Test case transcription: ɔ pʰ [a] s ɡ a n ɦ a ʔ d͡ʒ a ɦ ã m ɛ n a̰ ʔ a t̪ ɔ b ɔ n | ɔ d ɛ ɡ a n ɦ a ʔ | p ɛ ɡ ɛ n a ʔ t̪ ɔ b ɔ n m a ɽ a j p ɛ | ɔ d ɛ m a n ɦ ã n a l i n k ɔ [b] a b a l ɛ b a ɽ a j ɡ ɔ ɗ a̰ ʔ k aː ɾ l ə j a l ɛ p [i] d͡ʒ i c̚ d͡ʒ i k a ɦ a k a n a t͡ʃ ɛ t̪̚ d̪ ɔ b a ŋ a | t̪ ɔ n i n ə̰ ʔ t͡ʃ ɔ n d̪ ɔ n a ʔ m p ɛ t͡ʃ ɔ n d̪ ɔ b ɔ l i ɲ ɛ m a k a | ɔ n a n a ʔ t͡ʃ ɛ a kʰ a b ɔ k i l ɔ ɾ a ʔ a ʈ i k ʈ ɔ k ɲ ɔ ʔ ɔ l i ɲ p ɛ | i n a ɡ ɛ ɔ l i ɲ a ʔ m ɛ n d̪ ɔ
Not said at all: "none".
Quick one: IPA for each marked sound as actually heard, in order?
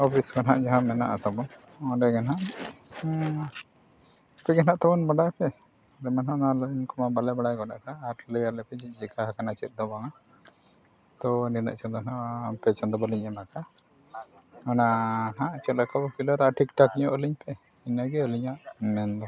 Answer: i, m, ɛ

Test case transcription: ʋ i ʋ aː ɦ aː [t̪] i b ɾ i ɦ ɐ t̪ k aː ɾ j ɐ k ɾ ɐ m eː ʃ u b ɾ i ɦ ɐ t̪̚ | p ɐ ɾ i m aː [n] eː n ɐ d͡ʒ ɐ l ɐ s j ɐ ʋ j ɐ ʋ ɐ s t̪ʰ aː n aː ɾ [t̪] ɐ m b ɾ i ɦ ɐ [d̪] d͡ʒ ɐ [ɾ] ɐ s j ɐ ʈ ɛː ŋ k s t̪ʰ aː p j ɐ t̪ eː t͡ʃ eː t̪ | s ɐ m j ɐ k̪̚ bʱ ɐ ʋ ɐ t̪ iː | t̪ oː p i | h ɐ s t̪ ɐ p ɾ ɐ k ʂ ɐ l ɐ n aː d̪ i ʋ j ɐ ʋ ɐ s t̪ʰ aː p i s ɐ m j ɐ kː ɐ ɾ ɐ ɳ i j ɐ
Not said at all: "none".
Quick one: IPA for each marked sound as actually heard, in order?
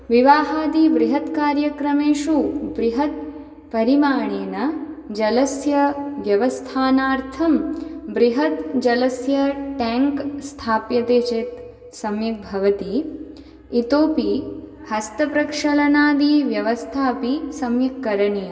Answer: d̪, ɳ, t̪ʰ, t̪, l

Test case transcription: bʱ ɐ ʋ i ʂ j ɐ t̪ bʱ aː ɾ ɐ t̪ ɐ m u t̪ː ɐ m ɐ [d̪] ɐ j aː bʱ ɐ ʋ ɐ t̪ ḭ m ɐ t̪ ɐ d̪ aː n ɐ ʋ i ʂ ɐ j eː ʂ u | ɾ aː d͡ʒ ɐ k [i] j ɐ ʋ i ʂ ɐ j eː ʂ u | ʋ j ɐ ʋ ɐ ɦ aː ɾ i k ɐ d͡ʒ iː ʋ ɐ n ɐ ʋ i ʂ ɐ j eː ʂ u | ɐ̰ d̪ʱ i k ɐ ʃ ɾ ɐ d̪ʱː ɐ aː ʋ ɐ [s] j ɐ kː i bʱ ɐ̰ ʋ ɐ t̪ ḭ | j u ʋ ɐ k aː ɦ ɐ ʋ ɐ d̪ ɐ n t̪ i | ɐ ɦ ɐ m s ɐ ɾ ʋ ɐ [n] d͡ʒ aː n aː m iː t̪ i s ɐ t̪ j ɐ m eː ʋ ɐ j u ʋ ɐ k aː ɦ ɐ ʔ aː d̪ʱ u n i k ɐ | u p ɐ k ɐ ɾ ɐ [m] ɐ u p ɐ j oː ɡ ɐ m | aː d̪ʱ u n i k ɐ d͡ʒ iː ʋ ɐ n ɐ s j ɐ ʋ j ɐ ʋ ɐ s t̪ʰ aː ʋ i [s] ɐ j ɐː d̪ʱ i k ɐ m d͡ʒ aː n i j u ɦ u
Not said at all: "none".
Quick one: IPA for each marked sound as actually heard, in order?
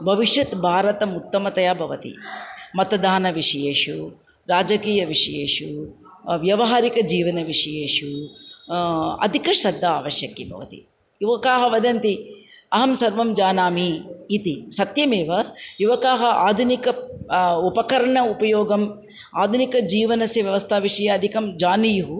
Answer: t̪, iː, ʃ, m, ɳ, ʂ

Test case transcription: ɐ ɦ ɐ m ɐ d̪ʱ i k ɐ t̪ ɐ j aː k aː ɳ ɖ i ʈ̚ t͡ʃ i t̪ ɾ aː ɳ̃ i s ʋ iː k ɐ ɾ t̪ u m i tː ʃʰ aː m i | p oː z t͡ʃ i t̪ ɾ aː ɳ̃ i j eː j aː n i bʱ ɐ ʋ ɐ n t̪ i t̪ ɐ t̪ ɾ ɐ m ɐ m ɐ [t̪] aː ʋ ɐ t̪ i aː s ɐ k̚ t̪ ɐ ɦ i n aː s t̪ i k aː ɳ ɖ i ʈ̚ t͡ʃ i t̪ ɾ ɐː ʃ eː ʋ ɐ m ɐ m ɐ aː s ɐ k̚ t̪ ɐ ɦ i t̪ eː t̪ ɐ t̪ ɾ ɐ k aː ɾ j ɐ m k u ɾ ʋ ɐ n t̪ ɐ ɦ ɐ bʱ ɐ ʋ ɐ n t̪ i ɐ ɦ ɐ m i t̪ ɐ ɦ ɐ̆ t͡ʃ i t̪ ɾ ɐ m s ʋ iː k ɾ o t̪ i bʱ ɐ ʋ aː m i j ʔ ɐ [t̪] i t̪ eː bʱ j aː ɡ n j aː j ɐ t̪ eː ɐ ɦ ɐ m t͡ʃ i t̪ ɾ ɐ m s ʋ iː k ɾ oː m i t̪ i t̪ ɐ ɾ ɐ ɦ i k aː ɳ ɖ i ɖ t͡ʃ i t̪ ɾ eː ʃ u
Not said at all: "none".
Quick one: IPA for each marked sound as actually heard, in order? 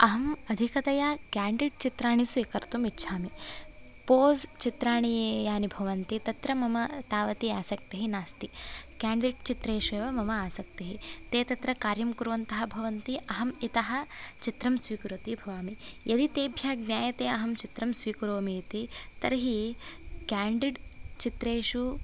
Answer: t̪, d̪

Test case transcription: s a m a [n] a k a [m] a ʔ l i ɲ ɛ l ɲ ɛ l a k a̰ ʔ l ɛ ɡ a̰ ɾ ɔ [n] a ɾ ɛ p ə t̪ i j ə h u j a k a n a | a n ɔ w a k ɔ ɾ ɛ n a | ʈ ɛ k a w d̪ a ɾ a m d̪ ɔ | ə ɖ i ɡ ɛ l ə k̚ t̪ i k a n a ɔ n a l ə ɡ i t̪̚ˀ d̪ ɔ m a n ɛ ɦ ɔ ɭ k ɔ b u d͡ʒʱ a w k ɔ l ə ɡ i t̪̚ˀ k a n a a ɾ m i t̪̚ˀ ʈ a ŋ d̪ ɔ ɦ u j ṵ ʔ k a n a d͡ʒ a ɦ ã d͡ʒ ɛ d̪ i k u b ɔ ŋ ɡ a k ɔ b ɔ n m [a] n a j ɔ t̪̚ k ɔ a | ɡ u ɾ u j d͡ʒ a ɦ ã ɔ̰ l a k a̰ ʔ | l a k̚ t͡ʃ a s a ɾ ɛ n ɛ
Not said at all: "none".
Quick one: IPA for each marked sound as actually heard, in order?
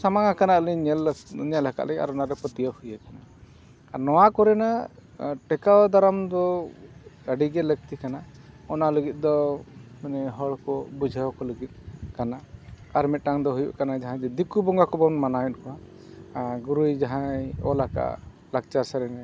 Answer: ŋ, n, n, a

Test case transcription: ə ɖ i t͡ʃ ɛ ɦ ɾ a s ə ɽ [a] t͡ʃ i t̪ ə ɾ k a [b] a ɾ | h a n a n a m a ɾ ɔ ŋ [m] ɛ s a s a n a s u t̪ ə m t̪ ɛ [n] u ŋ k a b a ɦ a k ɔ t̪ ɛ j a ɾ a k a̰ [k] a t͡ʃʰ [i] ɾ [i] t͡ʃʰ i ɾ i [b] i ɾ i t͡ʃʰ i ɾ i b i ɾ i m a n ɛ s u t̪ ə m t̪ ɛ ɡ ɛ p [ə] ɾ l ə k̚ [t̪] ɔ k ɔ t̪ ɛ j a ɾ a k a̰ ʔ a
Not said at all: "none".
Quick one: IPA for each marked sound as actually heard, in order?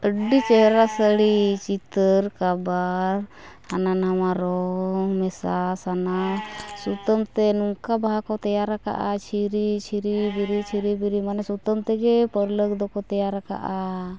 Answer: i, b, m, n, ʔ, i, i, b, ə, d̪

